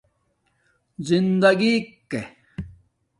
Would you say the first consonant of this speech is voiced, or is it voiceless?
voiced